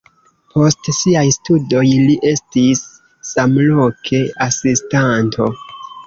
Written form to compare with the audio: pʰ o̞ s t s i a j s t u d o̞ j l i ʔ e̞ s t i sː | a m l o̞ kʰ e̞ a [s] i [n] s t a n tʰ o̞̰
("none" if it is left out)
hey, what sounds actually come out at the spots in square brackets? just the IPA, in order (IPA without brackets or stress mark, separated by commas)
s, none